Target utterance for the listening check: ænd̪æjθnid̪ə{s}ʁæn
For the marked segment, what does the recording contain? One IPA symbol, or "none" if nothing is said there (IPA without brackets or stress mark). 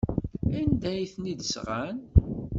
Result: s